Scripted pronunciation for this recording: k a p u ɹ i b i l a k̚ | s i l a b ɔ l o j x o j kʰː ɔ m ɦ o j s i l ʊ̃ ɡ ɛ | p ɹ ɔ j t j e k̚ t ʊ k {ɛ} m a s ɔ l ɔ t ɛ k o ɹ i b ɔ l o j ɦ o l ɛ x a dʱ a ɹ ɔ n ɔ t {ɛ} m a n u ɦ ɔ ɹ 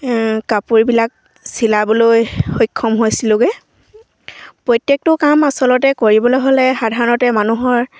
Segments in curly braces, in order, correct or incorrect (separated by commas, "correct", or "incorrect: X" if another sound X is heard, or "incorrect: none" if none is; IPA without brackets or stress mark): incorrect: a, correct